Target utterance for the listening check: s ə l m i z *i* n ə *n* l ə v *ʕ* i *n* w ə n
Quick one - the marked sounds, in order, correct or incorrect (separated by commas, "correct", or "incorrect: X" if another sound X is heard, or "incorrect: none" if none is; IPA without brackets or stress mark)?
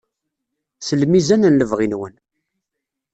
incorrect: æ, correct, incorrect: ʁ, correct